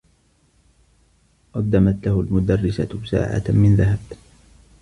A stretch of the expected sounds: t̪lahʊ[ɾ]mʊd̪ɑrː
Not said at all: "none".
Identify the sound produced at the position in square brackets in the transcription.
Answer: l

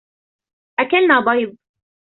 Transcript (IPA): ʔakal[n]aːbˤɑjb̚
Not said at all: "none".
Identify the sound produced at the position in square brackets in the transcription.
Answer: n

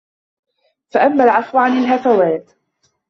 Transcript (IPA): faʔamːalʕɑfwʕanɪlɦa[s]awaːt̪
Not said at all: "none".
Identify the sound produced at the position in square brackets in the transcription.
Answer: f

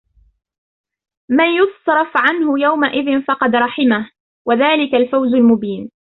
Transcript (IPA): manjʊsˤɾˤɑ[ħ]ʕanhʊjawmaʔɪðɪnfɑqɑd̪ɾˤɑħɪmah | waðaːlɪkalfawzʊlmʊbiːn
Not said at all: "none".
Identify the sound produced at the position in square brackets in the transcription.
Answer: f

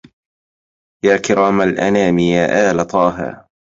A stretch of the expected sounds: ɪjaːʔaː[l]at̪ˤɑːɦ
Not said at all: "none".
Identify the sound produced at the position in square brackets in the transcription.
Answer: l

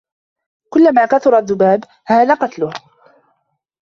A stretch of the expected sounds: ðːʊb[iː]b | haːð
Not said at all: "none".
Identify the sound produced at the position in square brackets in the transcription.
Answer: aː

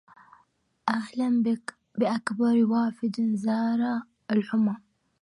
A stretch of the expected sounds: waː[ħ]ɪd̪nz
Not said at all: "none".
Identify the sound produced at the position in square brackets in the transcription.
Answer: f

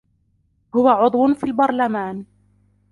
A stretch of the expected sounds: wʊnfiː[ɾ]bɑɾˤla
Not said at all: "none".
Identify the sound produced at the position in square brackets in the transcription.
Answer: l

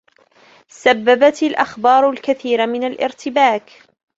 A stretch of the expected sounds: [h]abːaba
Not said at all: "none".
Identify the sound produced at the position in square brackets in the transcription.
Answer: s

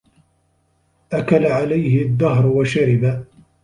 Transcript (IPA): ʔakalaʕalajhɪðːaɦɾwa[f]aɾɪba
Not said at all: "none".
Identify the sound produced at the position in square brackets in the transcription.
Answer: ʃ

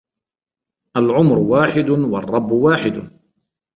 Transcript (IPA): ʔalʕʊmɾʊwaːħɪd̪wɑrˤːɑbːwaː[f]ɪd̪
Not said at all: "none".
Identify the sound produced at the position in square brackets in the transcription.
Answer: ħ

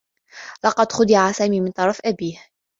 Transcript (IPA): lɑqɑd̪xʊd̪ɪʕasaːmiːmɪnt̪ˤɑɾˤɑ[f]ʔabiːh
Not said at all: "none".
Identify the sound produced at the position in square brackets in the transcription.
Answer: f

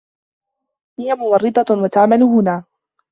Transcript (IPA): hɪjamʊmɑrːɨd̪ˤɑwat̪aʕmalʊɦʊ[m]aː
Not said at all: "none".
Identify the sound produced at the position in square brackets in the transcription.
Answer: n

